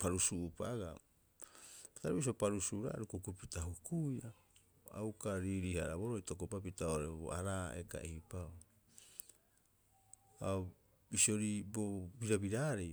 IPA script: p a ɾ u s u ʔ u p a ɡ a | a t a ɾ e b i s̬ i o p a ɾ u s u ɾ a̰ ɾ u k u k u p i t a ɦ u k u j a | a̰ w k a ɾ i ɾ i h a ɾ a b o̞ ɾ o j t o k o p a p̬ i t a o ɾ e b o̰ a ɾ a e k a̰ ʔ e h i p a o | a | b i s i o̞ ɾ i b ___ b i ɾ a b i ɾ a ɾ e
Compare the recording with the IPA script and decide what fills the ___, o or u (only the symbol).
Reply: o